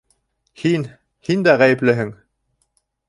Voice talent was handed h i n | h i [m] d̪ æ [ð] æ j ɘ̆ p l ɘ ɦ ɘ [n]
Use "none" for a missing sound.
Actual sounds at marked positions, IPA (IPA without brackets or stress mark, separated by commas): n, ʁ, ŋ